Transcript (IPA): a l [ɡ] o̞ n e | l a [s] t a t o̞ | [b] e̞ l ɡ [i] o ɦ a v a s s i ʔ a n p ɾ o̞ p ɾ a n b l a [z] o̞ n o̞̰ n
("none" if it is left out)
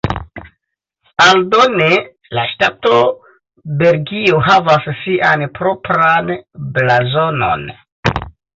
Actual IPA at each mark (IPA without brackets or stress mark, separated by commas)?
d, ʃ, b, i, z